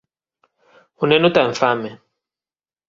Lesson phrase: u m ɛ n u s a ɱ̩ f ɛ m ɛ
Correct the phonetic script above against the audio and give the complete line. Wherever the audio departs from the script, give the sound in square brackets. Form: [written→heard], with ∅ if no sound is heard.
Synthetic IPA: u [m→n] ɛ n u [s→t] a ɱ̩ f [ɛ→a] m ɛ